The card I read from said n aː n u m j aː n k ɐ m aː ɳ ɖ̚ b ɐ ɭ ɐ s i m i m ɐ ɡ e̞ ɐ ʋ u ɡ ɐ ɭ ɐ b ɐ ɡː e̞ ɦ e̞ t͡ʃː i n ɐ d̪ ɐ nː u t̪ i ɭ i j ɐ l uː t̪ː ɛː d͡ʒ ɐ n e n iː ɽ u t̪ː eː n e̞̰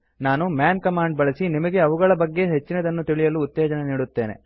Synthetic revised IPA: n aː n u m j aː n k ɐ m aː ɳ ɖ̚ b ɐ ɭ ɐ s i n i m ɐ ɡ e̞ ɐ ʋ u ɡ ɐ ɭ ɐ b ɐ ɡː e̞ ɦ e̞ t͡ʃː i n ɐ d̪ ɐ nː u t̪ i ɭ i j ɐ l uː t̪ː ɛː d͡ʒ ɐ n e n iː ɽ u t̪ː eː n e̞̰